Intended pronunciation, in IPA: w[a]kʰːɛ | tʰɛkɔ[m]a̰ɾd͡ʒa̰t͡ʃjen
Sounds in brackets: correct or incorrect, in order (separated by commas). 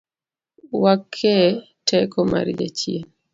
correct, correct